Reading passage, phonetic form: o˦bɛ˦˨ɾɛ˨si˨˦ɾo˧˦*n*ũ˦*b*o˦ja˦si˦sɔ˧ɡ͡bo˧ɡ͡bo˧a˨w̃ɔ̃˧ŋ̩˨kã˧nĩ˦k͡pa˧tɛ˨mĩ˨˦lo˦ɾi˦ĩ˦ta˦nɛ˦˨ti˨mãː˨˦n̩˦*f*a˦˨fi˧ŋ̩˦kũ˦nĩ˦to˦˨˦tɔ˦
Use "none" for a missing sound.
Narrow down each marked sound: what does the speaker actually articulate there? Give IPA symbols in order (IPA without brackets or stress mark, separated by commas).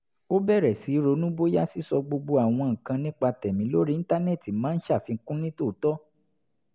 n, b, ʃ